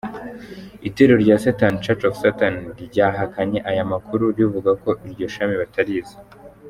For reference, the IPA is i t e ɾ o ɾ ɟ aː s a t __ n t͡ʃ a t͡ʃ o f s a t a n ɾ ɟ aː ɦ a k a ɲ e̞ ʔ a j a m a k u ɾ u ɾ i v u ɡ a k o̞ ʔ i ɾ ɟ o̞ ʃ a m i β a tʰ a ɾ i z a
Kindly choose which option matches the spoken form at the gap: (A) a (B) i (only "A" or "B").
A